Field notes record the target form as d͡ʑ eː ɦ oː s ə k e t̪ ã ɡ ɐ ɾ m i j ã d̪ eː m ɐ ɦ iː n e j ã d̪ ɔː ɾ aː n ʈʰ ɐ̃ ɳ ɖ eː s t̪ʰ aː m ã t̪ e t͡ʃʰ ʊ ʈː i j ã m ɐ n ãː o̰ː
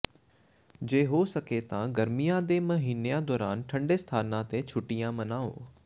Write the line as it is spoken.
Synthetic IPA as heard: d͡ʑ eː ɦ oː s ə k e t̪ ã ɡ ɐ ɾ m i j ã d̪ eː m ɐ ɦ iː n e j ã d̪ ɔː ɾ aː n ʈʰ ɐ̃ ɳ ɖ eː s t̪ʰ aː n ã t̪ e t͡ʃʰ ʊ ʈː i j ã m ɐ n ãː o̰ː